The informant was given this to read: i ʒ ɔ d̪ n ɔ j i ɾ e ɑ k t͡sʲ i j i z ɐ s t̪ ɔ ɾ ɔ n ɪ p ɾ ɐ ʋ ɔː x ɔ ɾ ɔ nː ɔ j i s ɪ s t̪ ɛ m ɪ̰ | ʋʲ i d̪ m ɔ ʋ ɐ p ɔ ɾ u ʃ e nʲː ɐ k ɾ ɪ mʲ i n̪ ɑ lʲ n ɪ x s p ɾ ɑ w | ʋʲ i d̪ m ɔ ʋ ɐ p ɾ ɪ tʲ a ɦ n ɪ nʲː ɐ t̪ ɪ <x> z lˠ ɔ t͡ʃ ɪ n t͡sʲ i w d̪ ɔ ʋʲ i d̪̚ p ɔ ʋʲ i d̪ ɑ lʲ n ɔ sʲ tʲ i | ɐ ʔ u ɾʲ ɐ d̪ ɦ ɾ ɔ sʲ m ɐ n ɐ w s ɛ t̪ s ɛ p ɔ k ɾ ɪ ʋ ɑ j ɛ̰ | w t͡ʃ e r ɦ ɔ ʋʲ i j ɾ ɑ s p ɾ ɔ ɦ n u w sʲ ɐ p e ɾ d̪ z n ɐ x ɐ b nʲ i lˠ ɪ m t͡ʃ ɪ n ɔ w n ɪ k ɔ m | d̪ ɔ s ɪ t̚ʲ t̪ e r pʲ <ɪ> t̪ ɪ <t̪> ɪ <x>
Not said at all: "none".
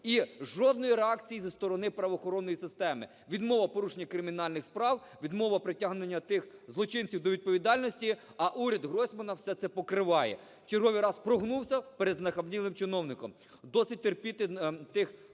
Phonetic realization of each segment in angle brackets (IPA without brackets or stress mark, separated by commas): x, i, t̪, x